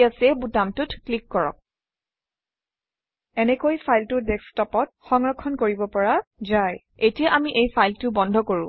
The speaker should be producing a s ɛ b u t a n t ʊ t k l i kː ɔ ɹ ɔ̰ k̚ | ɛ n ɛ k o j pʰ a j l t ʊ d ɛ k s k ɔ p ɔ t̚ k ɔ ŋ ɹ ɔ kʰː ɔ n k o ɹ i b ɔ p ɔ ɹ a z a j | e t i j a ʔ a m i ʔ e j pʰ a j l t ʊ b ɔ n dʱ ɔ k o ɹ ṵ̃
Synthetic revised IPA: a s ɛ b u t a m t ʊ t k l i kː ɔ ɹ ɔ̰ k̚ | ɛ n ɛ k o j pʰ a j l t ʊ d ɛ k s t ɔ p ɔ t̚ x ɔ ŋ ɹ ɔ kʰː ɔ n k o ɹ i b ɔ p ɔ ɹ a z a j | e t i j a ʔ a m i ʔ e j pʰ a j l t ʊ b ɔ n dʱ ɔ k o ɹ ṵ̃